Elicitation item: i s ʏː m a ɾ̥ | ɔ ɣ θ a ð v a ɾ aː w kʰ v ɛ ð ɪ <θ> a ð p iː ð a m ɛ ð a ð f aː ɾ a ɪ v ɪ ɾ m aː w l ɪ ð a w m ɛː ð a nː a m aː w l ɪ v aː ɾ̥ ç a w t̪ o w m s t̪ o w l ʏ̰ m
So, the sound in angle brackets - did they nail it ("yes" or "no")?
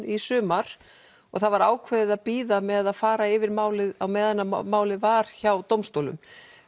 no